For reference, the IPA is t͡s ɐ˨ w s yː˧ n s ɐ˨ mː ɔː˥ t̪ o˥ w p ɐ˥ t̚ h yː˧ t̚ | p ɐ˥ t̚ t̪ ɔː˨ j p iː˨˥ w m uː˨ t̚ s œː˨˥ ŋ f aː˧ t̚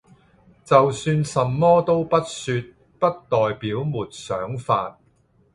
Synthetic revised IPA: t͡s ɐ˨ w s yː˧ n s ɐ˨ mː ɔː˥ t̪ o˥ w p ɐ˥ t̚ s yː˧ t̚ | p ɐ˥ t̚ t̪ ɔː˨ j p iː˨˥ w m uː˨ t̚ s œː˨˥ ŋ f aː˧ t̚

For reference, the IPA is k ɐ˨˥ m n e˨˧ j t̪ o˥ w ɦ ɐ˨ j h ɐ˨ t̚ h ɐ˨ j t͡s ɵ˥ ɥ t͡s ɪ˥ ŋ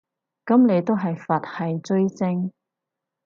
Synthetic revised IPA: k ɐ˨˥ m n e˨˧ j t̪ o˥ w ɦ ɐ˨ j f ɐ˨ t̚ h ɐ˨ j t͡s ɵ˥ ɥ t͡s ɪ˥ ŋ

